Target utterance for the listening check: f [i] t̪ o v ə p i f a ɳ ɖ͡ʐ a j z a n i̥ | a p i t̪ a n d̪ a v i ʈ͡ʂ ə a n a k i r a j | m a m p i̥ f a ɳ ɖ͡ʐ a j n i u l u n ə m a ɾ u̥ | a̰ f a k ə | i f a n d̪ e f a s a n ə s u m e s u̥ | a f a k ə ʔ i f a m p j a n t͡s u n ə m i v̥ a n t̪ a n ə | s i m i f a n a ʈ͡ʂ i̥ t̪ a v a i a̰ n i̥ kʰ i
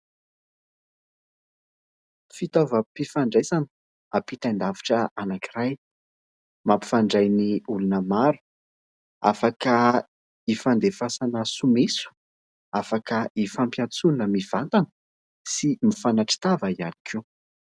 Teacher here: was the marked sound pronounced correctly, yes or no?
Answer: yes